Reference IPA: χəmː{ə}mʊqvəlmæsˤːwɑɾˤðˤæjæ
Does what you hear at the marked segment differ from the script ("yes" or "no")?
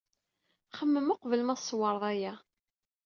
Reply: no